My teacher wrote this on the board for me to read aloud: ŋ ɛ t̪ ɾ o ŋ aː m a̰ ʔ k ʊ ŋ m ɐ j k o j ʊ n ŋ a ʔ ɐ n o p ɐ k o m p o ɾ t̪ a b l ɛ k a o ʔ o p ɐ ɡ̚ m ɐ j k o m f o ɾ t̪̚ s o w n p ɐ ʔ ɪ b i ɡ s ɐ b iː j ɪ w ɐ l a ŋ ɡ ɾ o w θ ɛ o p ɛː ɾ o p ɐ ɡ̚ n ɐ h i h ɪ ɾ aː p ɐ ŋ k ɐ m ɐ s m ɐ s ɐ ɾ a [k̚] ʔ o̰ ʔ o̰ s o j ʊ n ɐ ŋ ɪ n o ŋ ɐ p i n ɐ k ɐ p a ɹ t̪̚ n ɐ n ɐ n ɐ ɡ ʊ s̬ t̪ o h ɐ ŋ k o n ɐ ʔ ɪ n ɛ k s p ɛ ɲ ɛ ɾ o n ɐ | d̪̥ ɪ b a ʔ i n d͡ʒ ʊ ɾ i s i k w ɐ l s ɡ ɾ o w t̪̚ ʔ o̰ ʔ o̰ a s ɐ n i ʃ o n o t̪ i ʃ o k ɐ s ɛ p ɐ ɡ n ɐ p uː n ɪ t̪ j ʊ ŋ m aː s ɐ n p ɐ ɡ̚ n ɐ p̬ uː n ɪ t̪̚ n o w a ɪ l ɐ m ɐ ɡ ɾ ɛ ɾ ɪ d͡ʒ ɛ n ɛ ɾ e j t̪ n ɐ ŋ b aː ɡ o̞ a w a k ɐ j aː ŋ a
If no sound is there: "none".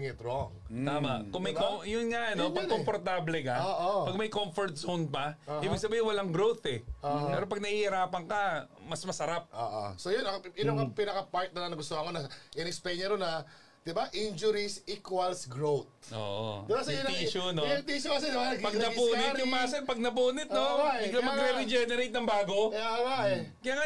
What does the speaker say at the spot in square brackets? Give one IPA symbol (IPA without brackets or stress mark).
p̚